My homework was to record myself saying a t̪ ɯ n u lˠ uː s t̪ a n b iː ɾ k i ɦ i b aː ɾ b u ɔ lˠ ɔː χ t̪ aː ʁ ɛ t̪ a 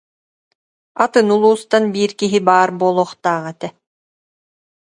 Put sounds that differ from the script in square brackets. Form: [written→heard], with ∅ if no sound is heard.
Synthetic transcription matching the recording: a t̪ ɯ n u lˠ uː s t̪ a n b iː ɾ k i ɦ i b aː ɾ b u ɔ lˠ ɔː χ t̪ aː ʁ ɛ t̪ [a→ɛ]